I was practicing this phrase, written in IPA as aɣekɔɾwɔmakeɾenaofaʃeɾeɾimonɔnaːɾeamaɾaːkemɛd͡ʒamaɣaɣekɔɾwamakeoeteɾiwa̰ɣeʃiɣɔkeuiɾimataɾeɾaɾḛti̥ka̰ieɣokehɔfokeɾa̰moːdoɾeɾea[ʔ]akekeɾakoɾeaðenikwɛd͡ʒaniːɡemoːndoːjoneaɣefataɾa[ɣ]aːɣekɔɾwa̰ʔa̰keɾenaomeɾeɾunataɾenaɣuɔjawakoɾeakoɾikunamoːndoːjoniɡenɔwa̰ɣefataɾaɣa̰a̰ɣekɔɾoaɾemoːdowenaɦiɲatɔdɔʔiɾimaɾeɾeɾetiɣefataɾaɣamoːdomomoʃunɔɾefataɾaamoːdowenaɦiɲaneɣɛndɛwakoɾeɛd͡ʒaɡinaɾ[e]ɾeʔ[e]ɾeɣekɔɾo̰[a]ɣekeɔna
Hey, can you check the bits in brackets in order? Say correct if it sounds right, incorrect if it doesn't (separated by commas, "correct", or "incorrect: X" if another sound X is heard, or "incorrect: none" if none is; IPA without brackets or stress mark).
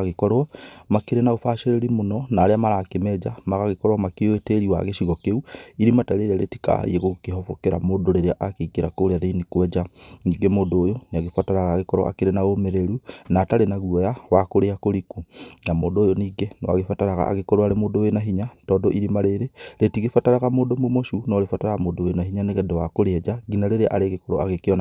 correct, correct, correct, incorrect: a, correct